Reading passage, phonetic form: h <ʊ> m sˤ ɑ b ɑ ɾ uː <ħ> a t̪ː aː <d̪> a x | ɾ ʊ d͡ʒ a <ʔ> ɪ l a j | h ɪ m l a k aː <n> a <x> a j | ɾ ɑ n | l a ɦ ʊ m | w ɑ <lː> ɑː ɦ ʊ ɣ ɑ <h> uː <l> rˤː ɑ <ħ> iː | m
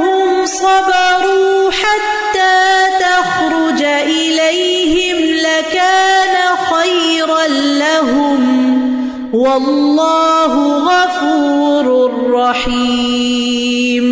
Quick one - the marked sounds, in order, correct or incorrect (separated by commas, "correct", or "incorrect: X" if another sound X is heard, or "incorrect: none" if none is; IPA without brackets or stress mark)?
correct, correct, incorrect: t̪, correct, correct, correct, correct, incorrect: f, incorrect: ɾ, correct